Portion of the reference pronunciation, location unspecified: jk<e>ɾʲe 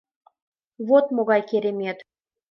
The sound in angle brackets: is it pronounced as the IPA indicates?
yes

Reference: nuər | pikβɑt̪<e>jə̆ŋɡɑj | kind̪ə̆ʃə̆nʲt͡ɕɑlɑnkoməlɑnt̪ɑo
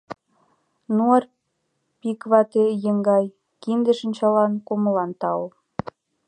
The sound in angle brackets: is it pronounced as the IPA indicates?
yes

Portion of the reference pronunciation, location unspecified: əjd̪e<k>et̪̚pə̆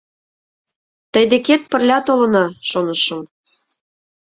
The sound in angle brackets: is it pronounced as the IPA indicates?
yes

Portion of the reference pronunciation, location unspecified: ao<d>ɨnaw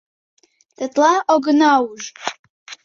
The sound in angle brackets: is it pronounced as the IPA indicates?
no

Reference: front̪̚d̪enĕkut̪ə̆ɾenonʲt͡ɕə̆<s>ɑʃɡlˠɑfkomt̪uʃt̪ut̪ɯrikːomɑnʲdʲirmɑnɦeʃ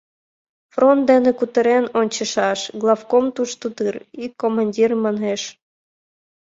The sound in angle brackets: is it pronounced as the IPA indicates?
no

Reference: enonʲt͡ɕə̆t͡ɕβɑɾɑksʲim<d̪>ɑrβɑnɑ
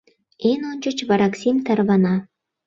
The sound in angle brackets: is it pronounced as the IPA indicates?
no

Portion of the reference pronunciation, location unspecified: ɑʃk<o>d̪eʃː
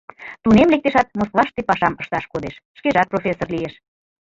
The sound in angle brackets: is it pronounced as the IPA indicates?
yes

